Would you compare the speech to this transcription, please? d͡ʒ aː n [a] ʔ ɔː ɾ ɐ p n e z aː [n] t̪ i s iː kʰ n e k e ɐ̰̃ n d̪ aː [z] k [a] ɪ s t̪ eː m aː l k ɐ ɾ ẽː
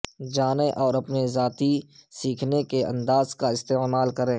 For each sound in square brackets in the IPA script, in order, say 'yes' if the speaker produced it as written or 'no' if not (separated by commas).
no, no, yes, yes